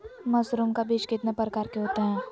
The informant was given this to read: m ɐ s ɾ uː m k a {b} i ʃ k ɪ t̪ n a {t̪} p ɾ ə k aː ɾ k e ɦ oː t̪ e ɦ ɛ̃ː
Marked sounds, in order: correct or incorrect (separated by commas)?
correct, incorrect